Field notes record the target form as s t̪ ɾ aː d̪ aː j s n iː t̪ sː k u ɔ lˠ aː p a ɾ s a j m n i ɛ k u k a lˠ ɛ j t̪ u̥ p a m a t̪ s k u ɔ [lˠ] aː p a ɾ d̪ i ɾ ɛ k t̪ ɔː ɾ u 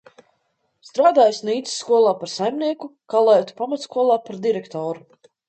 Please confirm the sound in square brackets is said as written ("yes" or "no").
yes